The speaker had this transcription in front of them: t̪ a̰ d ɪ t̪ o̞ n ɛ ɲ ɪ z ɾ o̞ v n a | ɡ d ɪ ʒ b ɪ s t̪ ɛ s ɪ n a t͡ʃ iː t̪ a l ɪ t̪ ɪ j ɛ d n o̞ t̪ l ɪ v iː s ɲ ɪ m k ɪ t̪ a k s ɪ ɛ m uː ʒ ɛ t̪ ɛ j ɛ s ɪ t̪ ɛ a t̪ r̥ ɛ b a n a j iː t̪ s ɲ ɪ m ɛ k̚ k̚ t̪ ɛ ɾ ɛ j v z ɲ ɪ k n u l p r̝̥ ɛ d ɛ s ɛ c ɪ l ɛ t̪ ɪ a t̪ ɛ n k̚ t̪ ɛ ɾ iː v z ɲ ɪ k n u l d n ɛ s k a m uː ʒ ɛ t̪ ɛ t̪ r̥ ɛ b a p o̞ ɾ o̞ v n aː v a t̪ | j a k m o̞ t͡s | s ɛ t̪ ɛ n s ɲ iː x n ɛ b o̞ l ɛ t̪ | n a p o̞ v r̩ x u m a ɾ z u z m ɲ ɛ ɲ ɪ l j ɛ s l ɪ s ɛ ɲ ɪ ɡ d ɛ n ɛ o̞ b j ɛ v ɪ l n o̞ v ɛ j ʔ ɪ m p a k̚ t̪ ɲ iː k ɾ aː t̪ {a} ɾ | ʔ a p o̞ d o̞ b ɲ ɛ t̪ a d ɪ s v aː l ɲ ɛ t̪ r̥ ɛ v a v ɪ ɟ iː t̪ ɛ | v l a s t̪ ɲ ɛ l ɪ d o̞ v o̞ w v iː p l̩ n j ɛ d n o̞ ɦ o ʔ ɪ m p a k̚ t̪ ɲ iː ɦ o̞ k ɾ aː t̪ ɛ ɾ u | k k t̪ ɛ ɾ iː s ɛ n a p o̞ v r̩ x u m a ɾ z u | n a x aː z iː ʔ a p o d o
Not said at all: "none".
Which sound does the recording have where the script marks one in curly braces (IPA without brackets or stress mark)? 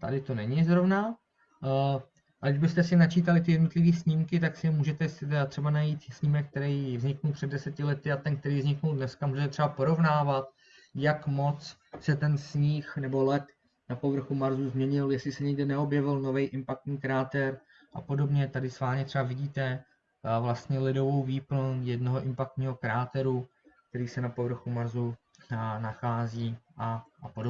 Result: ɛ